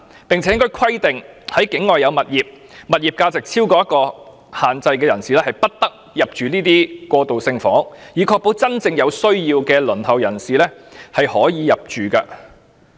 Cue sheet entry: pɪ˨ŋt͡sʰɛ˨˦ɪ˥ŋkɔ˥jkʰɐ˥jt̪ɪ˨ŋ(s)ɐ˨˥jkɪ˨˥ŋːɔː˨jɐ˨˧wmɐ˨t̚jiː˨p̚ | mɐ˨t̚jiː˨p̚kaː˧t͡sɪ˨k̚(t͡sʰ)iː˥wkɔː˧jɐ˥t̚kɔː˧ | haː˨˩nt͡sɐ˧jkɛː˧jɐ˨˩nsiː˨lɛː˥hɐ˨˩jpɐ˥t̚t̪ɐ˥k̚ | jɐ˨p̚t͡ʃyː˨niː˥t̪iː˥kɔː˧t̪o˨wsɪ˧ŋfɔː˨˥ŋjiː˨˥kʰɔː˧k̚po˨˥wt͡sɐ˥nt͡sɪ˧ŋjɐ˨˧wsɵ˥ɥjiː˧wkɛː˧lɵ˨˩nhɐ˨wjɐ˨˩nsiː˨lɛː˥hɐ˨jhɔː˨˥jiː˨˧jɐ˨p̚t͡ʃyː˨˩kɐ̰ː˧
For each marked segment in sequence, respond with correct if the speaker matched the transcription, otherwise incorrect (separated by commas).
incorrect, correct